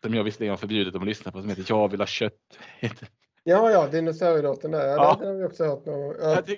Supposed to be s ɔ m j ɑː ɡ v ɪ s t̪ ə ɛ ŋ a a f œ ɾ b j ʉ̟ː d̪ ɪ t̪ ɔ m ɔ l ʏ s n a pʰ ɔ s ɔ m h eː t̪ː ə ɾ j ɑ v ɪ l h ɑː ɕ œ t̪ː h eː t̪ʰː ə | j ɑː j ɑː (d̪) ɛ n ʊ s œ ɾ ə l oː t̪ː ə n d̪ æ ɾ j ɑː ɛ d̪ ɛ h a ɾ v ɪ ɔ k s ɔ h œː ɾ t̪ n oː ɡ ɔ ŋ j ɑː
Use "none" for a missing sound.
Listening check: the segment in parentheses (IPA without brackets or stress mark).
d̪